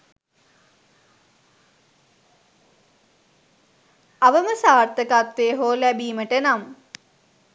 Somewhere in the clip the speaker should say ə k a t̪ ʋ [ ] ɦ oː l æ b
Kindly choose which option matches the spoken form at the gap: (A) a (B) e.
B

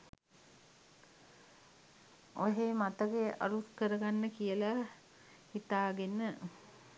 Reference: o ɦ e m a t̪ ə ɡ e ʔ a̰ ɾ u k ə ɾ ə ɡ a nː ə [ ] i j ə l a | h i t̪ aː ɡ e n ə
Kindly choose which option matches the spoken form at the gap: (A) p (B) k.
B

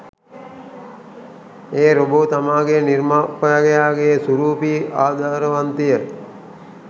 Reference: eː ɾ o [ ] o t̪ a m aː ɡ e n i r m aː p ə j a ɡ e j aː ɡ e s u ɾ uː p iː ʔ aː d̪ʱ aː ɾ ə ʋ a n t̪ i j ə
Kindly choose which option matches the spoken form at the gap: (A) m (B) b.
B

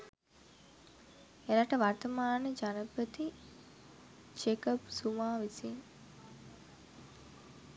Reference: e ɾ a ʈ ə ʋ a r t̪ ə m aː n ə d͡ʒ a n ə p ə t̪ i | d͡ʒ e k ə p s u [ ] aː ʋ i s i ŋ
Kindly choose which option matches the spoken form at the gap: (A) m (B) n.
A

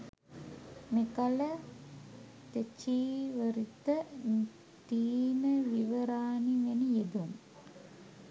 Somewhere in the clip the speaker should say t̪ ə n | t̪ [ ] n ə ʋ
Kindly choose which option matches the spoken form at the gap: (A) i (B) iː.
B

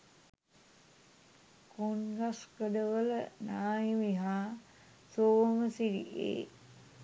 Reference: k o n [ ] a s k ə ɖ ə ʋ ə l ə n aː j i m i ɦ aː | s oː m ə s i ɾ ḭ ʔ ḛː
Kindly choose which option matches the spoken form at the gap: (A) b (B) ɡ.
B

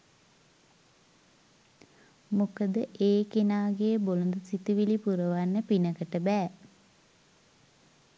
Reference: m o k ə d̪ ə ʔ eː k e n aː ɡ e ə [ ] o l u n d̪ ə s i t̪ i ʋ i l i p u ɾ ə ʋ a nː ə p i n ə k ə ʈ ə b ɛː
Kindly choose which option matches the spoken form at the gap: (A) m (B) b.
B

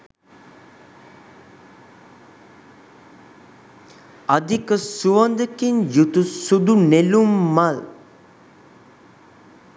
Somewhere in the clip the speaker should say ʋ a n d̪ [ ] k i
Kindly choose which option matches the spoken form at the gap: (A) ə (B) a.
A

